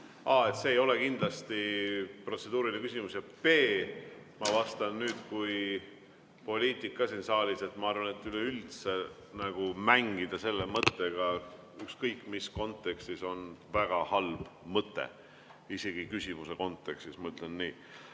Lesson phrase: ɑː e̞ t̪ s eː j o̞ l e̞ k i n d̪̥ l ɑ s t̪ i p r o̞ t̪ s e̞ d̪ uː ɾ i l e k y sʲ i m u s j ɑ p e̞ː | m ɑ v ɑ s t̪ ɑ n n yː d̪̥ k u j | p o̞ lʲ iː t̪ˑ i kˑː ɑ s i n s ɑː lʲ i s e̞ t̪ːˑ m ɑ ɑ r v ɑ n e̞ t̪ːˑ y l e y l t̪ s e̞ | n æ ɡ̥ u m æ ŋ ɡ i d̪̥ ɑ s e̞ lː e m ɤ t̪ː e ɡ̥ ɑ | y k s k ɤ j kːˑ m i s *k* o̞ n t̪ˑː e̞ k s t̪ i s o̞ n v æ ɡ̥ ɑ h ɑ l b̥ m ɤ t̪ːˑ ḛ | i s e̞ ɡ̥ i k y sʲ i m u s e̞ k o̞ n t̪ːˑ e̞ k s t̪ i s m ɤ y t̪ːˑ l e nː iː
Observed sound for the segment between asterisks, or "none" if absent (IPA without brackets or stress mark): k